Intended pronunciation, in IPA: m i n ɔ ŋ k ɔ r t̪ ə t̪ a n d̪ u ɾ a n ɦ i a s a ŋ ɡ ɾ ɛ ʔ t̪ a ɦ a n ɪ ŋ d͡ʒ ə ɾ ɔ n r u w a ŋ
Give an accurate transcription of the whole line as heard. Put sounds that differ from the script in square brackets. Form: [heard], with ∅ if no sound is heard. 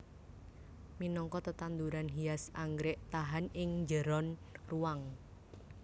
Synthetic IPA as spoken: m i n ɔ ŋ k ɔ [∅] t̪ ə t̪ a n d̪ u ɾ a n ɦ i a s a ŋ ɡ ɾ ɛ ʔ t̪ a ɦ a n ɪ ŋ d͡ʒ ə ɾ ɔ n r u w a ŋ